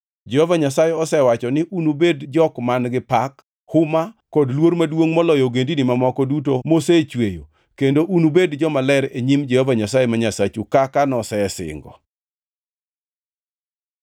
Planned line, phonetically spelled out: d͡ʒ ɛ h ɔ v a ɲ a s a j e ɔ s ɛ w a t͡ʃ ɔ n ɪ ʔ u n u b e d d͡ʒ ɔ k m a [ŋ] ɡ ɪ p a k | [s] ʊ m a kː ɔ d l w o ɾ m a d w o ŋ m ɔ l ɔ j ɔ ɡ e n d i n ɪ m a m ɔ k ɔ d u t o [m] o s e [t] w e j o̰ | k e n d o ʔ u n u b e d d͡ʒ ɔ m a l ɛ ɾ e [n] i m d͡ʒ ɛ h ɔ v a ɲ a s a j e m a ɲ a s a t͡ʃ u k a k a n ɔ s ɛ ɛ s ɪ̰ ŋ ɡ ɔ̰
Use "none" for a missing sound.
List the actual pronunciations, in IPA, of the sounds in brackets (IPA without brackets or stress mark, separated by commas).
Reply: n, h, m, t͡ʃ, ɲ